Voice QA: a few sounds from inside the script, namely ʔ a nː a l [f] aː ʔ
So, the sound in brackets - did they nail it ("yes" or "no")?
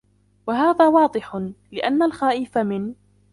no